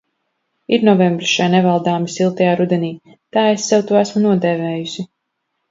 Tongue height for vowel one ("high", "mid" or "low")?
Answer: high